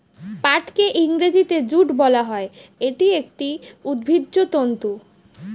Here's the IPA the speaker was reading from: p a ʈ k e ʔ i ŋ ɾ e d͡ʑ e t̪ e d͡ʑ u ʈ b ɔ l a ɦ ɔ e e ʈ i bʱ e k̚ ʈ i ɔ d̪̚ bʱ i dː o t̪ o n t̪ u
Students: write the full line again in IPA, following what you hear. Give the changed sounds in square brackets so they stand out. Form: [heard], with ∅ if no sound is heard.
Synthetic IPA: p a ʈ k e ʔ i ŋ ɾ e d͡ʑ [i] t̪ e d͡ʑ u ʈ b ɔ l a ɦ ɔ e e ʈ i [∅] e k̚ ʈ i [u] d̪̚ bʱ i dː o t̪ o n t̪ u

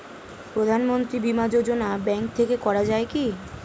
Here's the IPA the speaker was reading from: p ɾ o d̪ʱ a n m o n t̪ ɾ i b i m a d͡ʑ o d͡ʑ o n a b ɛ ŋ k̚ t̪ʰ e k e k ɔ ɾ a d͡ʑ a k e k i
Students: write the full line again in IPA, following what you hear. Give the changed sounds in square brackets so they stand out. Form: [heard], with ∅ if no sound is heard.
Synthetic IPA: p ɾ o d̪ʱ a n m o n t̪ ɾ i b i m a d͡ʑ o d͡ʑ o n a b ɛ ŋ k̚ t̪ʰ e k e k ɔ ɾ a d͡ʑ a [∅] e k i

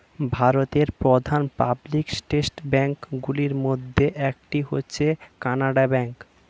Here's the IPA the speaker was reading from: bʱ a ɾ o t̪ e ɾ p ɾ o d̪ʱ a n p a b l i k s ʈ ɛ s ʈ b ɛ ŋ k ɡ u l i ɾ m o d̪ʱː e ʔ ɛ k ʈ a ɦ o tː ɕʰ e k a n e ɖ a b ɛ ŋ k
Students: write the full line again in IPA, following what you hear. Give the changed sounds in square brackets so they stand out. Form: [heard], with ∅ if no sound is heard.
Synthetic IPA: bʱ a ɾ o t̪ e ɾ p ɾ o d̪ʱ a n p a b l i k s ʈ [e] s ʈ b ɛ ŋ k ɡ u l i ɾ m o d̪ʱː e ʔ ɛ k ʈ [i] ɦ o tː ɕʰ e k a n [a] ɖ a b ɛ ŋ k

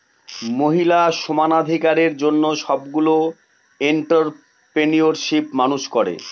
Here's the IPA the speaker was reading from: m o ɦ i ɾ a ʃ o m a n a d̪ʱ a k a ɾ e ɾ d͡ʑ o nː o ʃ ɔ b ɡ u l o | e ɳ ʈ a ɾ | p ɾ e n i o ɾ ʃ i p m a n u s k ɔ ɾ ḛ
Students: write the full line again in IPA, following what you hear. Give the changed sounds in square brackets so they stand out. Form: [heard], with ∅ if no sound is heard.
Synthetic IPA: m o ɦ i [l] a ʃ o m a n a d̪ʱ [i] k a ɾ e ɾ d͡ʑ o nː o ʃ ɔ b ɡ u l o | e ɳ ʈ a ɾ | p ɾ e n i o ɾ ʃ i p m a n u [ʃ] k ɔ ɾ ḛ

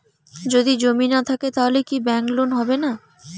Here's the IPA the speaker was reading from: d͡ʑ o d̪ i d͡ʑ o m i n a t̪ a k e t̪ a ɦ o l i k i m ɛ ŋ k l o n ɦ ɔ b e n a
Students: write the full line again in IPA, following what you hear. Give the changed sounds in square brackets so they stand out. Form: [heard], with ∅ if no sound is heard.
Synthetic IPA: d͡ʑ o d̪ i d͡ʑ o m i n a [t̪ʰ] a k e t̪ a ɦ o l [e] k i [b] ɛ ŋ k l o n ɦ ɔ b e n a

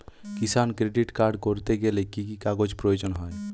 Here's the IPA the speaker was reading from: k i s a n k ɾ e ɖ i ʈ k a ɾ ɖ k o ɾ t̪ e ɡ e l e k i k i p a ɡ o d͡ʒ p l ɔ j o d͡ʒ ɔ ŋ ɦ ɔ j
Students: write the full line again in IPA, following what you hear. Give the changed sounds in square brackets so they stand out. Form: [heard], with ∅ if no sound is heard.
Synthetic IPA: k i s a n k ɾ e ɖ i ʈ k a ɾ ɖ k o ɾ t̪ e ɡ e l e k i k i [k] a ɡ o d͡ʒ p [ɾ] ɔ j o d͡ʒ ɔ [n] ɦ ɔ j

